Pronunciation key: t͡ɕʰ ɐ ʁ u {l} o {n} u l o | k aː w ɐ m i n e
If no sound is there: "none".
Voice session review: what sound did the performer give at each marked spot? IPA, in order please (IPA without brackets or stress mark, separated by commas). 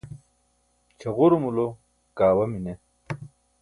ɾ, m